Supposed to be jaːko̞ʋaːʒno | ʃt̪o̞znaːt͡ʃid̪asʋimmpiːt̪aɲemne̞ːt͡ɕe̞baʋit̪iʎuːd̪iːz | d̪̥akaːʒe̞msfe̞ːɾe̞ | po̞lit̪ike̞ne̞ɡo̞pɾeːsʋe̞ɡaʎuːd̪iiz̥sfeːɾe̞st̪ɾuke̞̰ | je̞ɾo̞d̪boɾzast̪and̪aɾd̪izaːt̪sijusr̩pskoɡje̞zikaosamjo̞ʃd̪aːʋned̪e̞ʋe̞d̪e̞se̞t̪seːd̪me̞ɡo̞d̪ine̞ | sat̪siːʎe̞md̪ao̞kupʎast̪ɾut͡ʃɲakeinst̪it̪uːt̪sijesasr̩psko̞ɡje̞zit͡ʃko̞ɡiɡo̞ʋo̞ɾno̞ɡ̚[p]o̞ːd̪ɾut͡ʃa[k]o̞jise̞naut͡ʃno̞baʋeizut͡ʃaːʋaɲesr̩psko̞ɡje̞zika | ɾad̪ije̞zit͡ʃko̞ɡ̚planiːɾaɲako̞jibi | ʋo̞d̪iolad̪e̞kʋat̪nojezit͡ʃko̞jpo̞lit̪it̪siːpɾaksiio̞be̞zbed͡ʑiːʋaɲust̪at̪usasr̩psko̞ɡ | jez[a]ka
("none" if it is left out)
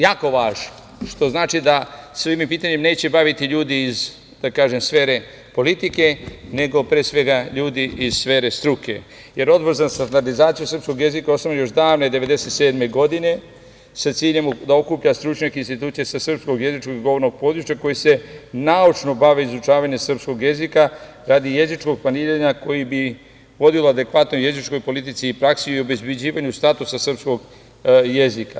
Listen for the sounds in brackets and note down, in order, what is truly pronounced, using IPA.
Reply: p, k, i

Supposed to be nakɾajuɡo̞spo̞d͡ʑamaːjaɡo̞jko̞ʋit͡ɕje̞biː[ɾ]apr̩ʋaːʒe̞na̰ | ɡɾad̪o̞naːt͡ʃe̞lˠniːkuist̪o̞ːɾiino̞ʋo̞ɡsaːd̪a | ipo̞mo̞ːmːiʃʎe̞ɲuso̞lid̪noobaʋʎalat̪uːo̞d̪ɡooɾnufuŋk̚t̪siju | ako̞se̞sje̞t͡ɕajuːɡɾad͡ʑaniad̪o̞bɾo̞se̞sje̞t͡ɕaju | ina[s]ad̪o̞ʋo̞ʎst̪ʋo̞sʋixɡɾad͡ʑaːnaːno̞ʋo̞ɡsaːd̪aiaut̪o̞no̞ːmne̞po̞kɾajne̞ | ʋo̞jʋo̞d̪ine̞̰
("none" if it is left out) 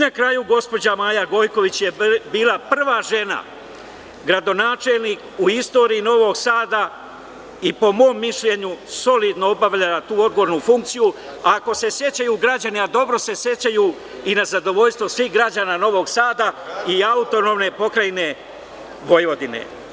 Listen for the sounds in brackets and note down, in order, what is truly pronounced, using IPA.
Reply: l, z

